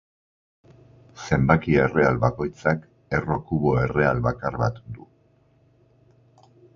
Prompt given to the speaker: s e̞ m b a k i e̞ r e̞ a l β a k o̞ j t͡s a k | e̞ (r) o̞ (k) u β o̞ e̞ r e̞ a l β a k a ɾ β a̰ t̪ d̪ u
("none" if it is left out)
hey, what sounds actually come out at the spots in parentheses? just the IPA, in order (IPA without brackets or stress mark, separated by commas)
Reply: r, k